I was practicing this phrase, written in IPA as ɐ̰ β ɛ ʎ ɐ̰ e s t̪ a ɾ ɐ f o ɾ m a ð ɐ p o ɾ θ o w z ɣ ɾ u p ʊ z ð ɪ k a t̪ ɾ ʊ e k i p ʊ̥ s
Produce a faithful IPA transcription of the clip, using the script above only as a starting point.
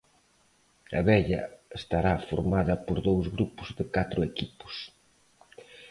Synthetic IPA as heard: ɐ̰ β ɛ ʎ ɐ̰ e s t̪ a ɾ a f o ɾ m a ð ɐ p o ɾ ð o w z ɣ ɾ u p ʊ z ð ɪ k a t̪ ɾ ʊ e k i p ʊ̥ s